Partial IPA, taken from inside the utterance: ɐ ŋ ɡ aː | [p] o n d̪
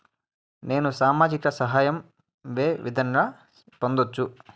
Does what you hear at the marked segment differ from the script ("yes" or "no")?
no